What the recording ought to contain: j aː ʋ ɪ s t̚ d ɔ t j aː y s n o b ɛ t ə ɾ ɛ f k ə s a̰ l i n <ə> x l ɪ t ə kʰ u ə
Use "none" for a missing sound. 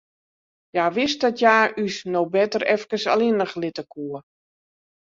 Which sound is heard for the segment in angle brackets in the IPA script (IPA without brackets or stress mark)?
ə